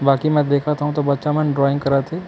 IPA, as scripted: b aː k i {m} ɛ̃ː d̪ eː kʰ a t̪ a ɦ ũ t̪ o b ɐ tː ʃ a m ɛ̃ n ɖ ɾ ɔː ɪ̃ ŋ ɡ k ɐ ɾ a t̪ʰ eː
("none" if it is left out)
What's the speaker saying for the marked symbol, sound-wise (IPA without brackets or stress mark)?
m